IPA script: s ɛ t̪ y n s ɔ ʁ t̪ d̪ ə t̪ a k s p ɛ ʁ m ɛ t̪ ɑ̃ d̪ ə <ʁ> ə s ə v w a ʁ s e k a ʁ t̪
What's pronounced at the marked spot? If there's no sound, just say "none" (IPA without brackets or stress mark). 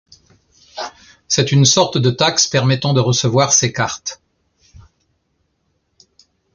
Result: ʁ